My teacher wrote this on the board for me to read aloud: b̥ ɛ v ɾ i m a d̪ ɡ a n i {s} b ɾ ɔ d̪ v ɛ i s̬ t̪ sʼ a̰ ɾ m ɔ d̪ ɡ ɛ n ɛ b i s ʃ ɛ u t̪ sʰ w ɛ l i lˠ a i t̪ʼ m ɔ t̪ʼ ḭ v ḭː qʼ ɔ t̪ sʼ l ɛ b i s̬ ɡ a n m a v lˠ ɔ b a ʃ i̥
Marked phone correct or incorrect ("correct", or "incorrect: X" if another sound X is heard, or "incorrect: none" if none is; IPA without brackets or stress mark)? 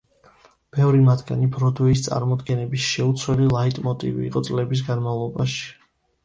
incorrect: none